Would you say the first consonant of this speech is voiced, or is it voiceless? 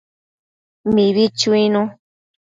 voiced